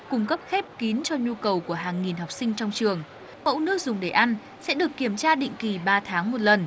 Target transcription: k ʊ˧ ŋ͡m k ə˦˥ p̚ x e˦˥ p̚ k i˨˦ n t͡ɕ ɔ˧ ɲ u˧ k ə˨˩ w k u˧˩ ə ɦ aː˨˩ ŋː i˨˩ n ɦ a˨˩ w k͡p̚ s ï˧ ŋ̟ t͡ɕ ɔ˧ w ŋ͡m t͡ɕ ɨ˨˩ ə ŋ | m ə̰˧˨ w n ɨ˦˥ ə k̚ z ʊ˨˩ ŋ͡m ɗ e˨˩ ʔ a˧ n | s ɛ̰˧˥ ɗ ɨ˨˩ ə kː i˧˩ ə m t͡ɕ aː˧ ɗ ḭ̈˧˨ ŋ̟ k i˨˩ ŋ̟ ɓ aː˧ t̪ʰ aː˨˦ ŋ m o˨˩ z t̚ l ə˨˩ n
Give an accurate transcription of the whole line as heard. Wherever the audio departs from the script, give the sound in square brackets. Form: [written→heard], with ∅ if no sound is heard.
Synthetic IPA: k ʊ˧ ŋ͡m k ə˦˥ p̚ x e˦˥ p̚ k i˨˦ n t͡ɕ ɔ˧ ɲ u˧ k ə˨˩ w k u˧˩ ə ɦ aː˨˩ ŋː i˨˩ n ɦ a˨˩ w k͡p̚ s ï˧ ŋ̟ t͡ɕ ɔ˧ w ŋ͡m t͡ɕ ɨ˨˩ ə ŋ | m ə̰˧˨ w n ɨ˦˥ ə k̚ z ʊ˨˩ ŋ͡m ɗ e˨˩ ʔ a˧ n | s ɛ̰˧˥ ɗ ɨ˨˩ ə kː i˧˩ ə m t͡ɕ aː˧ ɗ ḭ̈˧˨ ŋ̟ k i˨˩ [ŋ̟→∅] ɓ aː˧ t̪ʰ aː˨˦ ŋ m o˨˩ [z→∅] t̚ l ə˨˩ n